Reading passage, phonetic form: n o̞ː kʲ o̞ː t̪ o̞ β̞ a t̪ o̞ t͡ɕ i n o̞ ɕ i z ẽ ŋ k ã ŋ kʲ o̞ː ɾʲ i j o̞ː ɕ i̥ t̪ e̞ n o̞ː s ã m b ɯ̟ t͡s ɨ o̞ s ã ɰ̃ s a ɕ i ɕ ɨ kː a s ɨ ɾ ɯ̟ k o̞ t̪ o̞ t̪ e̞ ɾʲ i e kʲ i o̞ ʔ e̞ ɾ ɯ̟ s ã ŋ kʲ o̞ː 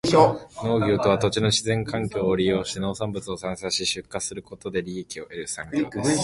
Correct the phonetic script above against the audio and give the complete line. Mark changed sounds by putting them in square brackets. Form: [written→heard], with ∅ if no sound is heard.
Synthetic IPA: n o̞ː [kʲ→ɡʲ] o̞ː t̪ o̞ β̞ a t̪ o̞ t͡ɕ i n o̞ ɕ i z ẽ ŋ k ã ŋ kʲ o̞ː ɾʲ i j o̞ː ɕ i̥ t̪ e̞ n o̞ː s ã m b ɯ̟ t͡s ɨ o̞ s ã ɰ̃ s a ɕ i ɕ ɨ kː a s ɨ ɾ ɯ̟ k o̞ t̪ o̞ [t̪→d̪] e̞ ɾʲ i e kʲ i o̞ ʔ e̞ ɾ ɯ̟ s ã ŋ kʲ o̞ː